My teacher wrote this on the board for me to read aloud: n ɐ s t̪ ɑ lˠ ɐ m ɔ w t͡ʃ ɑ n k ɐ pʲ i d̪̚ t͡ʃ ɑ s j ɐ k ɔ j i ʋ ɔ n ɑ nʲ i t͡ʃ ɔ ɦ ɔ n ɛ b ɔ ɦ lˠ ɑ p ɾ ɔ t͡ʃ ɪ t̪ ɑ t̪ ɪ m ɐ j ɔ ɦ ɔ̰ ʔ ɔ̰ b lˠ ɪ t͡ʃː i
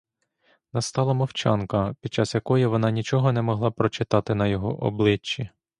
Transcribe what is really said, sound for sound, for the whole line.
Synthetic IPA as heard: n ɐ s t̪ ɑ lˠ ɐ m ɔ w t͡ʃ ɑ n k ɐ pʲ i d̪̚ t͡ʃ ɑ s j ɐ k ɔ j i ʋ ɔ n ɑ nʲ i t͡ʃ ɔ ɦ ɔ n ɛ m ɔ ɦ lˠ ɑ p ɾ ɔ t͡ʃ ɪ t̪ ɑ t̪ ɪ n ɐ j ɔ ɦ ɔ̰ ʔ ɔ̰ b lˠ ɪ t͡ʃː i

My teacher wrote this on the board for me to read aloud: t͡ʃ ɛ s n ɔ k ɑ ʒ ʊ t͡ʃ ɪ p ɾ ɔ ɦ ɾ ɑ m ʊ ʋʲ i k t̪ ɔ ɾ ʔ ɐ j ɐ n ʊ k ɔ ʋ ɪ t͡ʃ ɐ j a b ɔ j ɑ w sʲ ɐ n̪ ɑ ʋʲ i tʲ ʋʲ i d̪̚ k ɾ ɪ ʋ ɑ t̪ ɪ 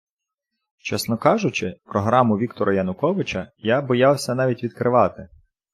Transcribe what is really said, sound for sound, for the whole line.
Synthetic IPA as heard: t͡ʃ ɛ s n ɔ k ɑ ʒ ʊ t͡ʃ ɪ p ɾ ɔ ɦ ɾ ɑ m ʊ ʋʲ i k t̪ ɔ ɾ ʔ ɐ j ɐ n ʊ k ɔ ʋ ɪ t͡ʃ ɐ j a b ɔ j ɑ w sʲ ɐ n̪ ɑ ʋʲ i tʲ ʋʲ i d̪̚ k ɾ ɪ ʋ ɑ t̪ ɪ

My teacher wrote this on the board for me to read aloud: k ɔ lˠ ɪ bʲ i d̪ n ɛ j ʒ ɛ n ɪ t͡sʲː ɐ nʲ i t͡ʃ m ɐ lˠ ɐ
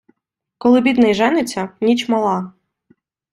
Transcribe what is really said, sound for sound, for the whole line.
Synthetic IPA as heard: k ɔ lˠ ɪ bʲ i d̪ n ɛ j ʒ ɛ n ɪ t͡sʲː ɐ nʲ i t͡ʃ m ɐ lˠ ɑ

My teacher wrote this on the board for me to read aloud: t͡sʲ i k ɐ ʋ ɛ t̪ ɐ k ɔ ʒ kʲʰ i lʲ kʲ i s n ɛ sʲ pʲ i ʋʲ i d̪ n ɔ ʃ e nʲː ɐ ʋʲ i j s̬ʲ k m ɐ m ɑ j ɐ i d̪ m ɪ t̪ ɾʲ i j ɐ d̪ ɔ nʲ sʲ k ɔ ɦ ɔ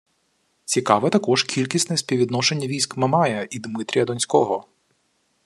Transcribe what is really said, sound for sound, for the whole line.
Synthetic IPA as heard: t͡sʲ i k ɑ ʋ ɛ t̪ ɐ k ɔ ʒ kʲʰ i lʲ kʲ i s n ɛ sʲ pʲ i ʋʲ i d̪ n ɔ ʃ e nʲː ɐ ʋʲ i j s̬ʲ k m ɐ m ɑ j ɐ i d̪ m ɪ t̪ ɾʲ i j ɐ d̪ ɔ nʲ sʲ k ɔ ɦ ɔ

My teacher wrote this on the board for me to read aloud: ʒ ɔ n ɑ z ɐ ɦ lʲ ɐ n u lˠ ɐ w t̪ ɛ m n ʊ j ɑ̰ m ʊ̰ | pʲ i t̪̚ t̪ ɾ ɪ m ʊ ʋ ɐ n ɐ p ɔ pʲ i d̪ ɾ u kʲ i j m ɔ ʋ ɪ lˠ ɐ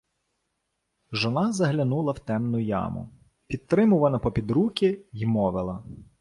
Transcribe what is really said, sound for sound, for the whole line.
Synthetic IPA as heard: ʒ ɔ n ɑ z ɐ ɦ lʲ ɐ n u lˠ ɐ w t̪ ɛ m n ʊ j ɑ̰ m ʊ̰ | pʲ i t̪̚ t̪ ɾ ɪ m ʊ ʋ ɐ n ɐ p ɔ pʲ i d̪ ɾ u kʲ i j m ɔ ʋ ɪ lˠ ɐ

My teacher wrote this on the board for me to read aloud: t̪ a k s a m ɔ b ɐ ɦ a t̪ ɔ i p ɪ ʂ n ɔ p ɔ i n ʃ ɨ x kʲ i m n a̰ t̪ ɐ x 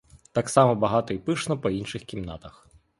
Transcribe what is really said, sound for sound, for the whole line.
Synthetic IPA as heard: t̪ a k s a m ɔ b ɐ ɦ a t̪ ɔ i p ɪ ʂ n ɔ p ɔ i n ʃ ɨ x kʲ i m n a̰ t̪ ɐ x

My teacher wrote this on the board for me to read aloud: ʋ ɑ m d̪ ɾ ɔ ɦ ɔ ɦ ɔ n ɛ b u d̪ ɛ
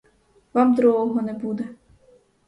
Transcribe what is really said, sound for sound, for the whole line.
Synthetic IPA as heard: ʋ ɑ m d̪ ɾ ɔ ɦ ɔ ɦ ɔ n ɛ b u d̪ ɛ

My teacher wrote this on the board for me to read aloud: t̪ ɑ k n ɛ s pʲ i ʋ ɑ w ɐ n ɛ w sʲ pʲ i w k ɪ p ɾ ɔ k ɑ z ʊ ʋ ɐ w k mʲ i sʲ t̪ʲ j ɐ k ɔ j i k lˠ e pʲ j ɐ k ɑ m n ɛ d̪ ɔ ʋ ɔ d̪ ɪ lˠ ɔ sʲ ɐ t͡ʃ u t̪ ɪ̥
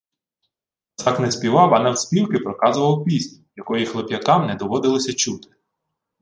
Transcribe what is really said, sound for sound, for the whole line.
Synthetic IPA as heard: t̪ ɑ k n ɛ s pʲ i ʋ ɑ w ɐ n ɛ w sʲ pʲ i w k ɪ p ɾ ɔ k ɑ z ʊ ʋ ɐ w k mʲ i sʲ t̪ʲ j ɐ k ɔ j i x lˠ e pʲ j ɐ k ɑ m n ɛ d̪ ɔ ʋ ɔ d̪ ɪ lˠ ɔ sʲ ɐ t͡ʃ u t̪ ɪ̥

